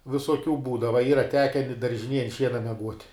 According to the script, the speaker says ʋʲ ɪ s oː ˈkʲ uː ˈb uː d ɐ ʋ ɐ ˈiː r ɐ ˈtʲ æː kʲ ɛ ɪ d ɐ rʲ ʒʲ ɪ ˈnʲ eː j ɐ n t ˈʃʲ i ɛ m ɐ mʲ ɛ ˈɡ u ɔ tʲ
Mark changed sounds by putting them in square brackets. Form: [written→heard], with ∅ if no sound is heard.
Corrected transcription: ʋʲ ɪ s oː ˈkʲ uː ˈb uː d ɐ ʋ ɐ ˈiː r ɐ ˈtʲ æː kʲ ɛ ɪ d ɐ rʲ ʒʲ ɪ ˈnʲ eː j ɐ n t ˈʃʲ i ɛ [m→n] ɐ mʲ ɛ ˈɡ u ɔ tʲ